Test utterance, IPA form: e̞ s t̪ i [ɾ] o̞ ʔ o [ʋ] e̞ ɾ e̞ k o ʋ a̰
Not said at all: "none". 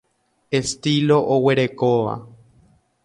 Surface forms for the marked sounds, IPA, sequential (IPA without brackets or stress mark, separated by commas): l, w